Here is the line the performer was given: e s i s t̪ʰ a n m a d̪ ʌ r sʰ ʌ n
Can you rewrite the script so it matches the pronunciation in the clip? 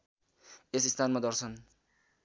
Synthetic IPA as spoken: e s i s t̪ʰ a n m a d̪ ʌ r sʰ ʌ n

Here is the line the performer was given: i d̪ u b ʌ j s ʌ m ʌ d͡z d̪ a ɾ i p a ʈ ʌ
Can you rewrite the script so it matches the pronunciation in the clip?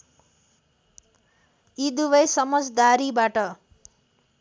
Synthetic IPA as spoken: i d̪ u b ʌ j s ʌ m ʌ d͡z d̪ a ɾ i b a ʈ ʌ

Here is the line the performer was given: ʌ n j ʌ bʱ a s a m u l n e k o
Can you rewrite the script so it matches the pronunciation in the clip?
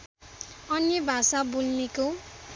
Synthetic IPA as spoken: ʌ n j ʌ bʱ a s a b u l n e k o

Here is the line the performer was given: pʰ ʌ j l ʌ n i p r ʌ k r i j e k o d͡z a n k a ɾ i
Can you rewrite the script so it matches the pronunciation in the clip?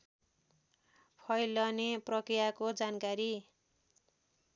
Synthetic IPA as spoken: pʰ ʌ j l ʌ n e p r ʌ k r i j a k o d͡z a n k a ɾ i

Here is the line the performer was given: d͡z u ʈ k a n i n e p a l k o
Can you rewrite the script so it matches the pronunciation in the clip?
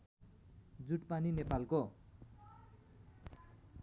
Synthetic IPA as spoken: d͡z u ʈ p a n i n e p a l k o

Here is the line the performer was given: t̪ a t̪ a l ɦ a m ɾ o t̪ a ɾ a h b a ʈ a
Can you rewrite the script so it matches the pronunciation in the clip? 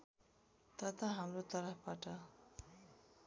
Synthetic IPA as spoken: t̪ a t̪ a ɦ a m l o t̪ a ɾ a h p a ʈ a

